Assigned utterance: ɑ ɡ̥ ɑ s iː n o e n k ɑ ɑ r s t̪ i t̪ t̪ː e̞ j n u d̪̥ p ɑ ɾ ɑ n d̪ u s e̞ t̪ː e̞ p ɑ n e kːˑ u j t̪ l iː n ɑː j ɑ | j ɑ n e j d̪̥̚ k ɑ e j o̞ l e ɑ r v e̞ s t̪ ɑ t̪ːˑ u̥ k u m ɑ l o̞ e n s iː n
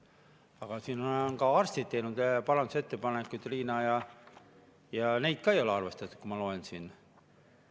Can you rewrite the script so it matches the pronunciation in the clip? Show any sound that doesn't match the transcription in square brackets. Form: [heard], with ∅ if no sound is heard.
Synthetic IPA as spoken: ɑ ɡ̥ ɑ s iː n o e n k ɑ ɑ r s t̪ i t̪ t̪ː e̞ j n u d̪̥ p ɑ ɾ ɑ n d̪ u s e̞ t̪ː e̞ p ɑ n e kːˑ u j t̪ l iː n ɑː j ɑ | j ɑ n e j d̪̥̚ k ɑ e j o̞ l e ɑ r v e̞ s t̪ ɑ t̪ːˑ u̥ k u m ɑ l o̞ e n s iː n